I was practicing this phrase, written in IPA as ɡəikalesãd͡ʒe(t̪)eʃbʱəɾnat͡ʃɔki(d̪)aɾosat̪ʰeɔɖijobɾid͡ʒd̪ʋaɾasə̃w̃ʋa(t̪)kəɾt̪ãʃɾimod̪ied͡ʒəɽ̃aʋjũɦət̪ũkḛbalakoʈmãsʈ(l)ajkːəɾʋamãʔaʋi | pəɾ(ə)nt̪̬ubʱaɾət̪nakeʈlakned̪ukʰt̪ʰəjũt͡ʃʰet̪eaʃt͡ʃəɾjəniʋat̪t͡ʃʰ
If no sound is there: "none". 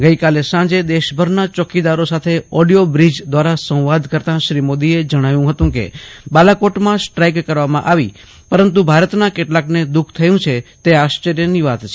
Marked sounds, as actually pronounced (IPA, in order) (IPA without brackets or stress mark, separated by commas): d̪, d̪, d̪, ɾ, ə